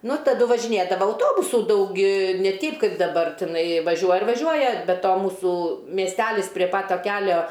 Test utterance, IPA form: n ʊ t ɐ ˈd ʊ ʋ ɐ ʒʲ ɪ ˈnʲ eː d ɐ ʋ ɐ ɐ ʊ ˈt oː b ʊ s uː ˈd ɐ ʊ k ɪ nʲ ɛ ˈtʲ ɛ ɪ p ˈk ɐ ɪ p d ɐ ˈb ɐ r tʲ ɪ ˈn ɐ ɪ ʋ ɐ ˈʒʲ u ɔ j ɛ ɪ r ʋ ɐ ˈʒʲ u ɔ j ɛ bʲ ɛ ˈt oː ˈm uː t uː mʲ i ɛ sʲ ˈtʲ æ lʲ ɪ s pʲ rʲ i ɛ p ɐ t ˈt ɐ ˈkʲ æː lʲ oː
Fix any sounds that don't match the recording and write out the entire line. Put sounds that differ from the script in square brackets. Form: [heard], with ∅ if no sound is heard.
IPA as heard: n ʊ t ɐ ˈd ʊ ʋ ɐ ʒʲ ɪ ˈnʲ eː d ɐ ʋ ɐ ɐ ʊ ˈt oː b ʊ s uː ˈd ɐ ʊ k ɪ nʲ ɛ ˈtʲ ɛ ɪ p ˈk ɐ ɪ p d ɐ ˈb ɐ r tʲ ɪ ˈn ɐ ɪ ʋ ɐ ˈʒʲ u ɔ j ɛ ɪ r ʋ ɐ ˈʒʲ u ɔ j ɛ bʲ ɛ ˈt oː ˈm uː [s] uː mʲ i ɛ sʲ ˈtʲ æ lʲ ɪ s pʲ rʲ i ɛ p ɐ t ˈt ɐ ˈkʲ æː lʲ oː